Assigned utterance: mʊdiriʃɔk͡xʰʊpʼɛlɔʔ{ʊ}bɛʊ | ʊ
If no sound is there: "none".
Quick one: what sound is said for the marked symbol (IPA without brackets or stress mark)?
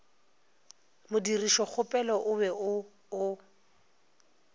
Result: ʊ